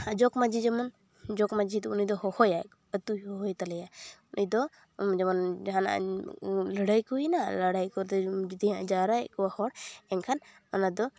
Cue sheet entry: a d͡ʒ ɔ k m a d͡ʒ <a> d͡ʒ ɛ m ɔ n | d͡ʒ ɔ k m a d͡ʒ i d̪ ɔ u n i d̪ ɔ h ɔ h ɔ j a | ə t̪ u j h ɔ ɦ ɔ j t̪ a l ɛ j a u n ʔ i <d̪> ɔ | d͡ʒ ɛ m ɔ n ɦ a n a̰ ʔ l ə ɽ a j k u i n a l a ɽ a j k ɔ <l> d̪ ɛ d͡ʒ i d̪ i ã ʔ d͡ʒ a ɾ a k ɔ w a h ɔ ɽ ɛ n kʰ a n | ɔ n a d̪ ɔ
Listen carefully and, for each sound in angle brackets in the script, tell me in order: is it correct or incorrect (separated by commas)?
incorrect, correct, incorrect